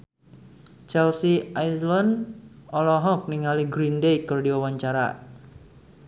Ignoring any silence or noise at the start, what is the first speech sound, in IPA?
t͡ʃ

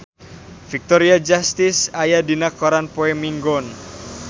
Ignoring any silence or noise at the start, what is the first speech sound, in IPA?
f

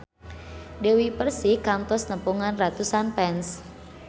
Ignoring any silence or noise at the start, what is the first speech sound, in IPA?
d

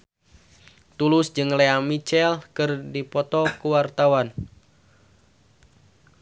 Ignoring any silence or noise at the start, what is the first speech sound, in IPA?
t̪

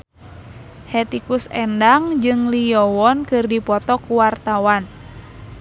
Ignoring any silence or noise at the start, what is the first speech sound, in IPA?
h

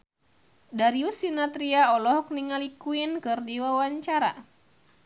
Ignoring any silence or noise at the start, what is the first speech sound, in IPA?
d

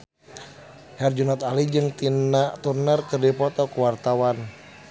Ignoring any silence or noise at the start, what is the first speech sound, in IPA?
h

